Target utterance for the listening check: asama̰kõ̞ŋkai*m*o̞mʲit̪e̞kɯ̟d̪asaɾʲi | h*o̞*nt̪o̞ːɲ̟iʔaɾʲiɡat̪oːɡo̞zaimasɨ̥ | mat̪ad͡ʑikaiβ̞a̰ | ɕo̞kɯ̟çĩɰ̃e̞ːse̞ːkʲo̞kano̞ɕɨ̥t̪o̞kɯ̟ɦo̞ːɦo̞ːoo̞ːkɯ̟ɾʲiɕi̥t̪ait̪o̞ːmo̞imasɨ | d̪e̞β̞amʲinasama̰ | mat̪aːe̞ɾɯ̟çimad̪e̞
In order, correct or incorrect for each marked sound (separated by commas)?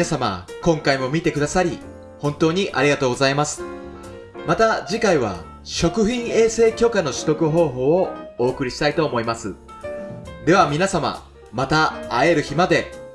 correct, incorrect